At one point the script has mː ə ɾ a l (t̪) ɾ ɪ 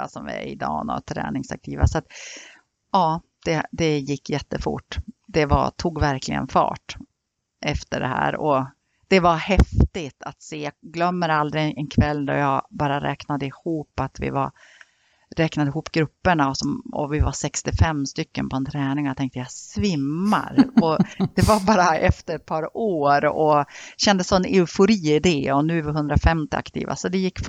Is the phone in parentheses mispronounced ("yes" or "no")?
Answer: yes